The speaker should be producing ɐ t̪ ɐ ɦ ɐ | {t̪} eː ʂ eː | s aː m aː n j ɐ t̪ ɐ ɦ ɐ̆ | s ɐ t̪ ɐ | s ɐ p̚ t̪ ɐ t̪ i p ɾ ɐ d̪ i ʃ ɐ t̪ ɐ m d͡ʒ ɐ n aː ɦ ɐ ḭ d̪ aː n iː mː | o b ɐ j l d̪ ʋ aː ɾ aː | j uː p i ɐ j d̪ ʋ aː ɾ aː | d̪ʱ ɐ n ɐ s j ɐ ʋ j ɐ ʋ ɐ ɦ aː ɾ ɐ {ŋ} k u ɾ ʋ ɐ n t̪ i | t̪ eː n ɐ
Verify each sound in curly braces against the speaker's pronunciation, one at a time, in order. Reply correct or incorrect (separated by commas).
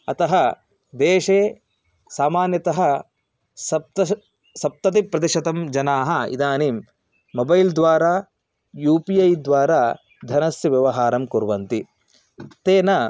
incorrect, incorrect